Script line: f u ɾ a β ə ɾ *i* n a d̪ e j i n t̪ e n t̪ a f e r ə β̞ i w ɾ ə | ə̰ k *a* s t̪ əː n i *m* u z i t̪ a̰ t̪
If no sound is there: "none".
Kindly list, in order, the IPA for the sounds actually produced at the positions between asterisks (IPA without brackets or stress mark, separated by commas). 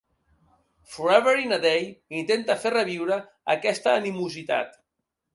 i, ɛ, m